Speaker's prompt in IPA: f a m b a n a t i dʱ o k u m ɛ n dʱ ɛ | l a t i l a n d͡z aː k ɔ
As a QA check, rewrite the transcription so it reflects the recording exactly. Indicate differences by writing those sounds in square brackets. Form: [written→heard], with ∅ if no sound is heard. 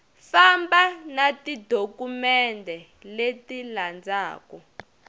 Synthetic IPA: f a m b a n a t i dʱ o k u m ɛ n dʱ ɛ | l [a→e] t i l a n d͡z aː k ɔ